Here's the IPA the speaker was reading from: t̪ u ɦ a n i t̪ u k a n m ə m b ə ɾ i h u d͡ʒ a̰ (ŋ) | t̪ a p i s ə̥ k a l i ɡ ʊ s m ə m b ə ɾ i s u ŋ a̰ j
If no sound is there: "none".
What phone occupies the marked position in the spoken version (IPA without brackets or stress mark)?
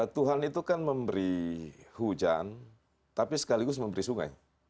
n